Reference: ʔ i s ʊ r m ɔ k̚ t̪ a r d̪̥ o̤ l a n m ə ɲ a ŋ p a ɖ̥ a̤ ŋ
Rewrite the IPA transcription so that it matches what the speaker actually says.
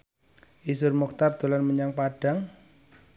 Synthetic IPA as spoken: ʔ i s ʊ r m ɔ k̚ t̪ a r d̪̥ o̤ l a n m ə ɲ a ŋ p a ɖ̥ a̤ ŋ